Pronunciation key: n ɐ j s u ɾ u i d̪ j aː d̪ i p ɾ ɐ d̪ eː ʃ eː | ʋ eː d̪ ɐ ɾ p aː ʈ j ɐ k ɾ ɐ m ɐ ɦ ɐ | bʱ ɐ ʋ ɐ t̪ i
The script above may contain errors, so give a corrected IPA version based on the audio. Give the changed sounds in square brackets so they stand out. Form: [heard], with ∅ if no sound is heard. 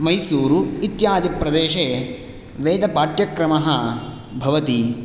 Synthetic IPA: [m] ɐ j s [uː] ɾ u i [t̪] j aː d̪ i p ɾ ɐ d̪ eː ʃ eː | ʋ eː d̪ ɐ [∅] p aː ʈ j ɐ k ɾ ɐ m ɐ ɦ ɐ | bʱ ɐ ʋ ɐ t̪ i